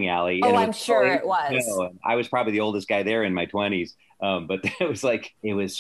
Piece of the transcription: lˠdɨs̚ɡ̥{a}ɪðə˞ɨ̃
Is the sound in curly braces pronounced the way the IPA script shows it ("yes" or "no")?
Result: yes